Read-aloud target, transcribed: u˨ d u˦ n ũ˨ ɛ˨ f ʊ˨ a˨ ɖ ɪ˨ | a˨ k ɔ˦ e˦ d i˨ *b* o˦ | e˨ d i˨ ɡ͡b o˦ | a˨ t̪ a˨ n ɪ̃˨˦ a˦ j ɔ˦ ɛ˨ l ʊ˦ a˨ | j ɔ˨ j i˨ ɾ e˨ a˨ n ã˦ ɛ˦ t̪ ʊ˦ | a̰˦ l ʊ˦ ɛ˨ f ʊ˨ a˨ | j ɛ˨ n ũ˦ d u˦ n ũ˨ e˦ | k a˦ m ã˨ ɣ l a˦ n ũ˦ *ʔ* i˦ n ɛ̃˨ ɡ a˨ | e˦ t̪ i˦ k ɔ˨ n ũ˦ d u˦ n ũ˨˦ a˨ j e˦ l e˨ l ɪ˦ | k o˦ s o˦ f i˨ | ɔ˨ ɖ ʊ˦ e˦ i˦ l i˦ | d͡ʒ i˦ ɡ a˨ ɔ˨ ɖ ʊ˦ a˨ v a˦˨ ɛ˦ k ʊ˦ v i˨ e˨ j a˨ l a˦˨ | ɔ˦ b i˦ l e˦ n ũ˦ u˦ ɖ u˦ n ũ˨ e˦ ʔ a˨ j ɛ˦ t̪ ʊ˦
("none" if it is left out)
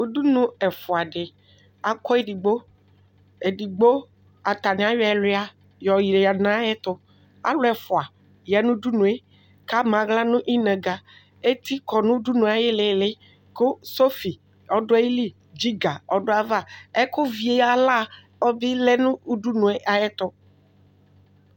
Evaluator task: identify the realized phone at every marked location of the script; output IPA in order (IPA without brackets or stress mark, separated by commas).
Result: ɡ͡b, ʔ